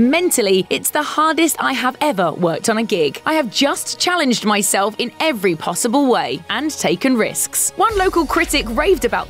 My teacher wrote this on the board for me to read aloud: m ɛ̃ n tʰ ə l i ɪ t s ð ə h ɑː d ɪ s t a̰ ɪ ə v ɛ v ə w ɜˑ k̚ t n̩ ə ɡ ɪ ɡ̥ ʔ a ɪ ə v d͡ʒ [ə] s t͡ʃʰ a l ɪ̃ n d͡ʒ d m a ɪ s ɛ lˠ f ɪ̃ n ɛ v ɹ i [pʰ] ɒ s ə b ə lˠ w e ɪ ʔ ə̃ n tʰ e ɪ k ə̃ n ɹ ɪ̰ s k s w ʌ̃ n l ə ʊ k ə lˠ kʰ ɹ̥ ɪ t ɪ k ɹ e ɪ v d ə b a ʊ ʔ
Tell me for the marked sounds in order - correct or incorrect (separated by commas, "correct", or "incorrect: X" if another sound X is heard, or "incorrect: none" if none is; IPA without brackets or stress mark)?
incorrect: ʌ, correct